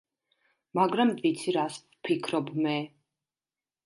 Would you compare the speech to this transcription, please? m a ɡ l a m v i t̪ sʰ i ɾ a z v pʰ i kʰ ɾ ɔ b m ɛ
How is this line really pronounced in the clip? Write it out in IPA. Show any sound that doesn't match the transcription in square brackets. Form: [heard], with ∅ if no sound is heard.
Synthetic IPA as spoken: m a ɡ [ɾ] a m v i t̪ sʰ i ɾ a [s] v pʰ i kʰ ɾ ɔ b m ɛ